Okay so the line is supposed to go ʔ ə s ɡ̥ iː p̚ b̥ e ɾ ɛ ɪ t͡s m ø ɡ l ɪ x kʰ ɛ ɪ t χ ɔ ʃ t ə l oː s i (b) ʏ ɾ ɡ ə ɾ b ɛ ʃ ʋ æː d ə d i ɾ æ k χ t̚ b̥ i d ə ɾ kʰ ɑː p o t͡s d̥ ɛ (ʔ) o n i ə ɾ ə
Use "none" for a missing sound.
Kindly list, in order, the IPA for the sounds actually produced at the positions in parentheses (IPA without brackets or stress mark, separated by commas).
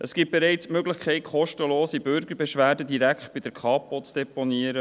b, p